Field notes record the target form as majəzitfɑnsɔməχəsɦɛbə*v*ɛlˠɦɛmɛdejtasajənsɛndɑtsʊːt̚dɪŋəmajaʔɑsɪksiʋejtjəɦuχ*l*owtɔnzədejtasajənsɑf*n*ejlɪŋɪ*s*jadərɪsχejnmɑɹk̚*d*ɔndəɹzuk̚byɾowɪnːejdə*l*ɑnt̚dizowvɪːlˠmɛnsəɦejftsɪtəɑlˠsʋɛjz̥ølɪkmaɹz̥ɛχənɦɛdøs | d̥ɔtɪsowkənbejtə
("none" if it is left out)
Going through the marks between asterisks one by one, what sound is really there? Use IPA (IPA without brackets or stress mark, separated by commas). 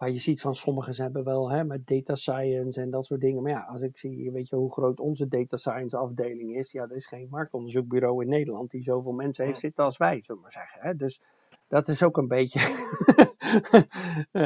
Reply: ʋ, r, d, s, t, l